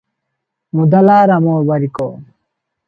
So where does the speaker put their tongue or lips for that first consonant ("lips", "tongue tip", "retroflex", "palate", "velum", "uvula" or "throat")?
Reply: lips